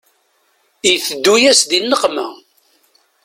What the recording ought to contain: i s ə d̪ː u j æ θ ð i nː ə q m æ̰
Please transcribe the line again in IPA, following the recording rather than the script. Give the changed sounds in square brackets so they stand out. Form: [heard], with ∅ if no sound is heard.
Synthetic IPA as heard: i [θ] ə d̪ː u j æ [s] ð i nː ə q m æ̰